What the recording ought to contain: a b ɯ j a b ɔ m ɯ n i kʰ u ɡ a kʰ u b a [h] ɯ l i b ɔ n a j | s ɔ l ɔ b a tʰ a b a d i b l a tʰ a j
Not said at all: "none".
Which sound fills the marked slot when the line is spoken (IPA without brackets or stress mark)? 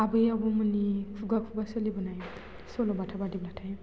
s